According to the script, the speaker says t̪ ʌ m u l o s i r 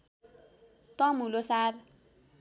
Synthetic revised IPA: t̪ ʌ m u l o s a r